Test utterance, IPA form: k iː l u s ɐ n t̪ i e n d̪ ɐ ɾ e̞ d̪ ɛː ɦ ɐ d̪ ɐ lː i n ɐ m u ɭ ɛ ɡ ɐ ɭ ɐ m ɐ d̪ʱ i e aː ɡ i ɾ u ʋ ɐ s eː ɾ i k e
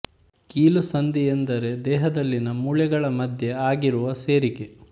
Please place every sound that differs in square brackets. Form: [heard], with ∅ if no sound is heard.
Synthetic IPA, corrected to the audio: k iː l u s ɐ n [d̪] i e n d̪ ɐ ɾ e̞ d̪ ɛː ɦ ɐ d̪ ɐ lː i n ɐ m u ɭ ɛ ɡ ɐ ɭ ɐ m ɐ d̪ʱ [j] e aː ɡ i ɾ u ʋ ɐ s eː ɾ i k e